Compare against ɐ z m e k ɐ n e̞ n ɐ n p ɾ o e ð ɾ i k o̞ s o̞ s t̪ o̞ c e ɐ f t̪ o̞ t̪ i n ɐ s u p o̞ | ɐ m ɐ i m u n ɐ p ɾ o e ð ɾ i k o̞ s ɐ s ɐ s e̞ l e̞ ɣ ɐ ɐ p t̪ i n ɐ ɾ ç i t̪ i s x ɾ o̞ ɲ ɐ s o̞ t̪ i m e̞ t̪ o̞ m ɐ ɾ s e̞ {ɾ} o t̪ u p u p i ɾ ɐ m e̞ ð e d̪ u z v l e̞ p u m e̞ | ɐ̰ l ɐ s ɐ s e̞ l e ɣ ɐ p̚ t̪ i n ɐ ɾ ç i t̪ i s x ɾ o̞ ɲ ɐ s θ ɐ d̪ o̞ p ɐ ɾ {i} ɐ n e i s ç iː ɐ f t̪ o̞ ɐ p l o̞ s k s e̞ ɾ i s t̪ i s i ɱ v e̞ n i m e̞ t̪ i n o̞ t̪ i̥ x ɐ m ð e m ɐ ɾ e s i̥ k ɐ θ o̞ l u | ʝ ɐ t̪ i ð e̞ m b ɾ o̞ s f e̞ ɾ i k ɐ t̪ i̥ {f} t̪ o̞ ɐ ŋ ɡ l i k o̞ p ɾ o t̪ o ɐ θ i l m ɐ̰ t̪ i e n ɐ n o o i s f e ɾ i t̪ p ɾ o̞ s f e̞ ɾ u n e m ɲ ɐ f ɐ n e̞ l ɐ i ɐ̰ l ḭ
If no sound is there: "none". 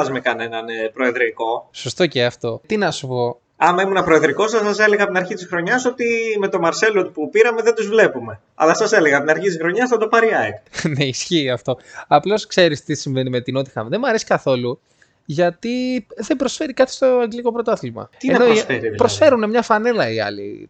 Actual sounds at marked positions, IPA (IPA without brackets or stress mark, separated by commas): l, i, s